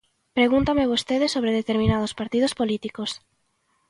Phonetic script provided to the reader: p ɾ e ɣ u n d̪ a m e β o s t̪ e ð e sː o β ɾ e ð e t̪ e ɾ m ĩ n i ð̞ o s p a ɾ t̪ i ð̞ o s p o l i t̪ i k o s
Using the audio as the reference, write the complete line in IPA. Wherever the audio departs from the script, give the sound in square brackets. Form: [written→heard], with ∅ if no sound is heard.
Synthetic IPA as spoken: p ɾ e ɣ u n [d̪→t̪] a m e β o s t̪ e ð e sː o β ɾ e ð e t̪ e ɾ m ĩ n [i→a] ð̞ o s p a ɾ t̪ i ð̞ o s p o l i t̪ i k o s